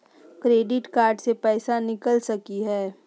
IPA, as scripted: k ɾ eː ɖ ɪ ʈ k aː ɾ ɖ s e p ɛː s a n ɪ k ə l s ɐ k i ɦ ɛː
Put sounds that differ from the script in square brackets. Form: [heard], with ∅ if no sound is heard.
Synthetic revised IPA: k ɾ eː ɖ ɪ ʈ k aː ɾ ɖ s e p ɛː s a n ɪ k ə l s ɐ k i ɦ ɛː